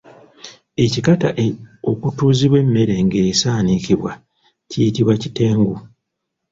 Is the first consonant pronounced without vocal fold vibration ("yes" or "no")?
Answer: yes